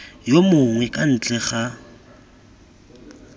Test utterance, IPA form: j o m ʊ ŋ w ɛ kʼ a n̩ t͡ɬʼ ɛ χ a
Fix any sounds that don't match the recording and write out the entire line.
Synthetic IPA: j o m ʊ ŋ w ɛ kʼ a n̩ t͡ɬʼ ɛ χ a